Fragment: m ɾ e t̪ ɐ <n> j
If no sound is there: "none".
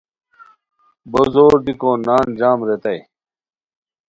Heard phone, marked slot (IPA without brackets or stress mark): none